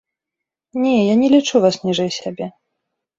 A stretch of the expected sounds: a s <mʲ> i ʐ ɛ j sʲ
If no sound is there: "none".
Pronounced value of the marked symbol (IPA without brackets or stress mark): nʲ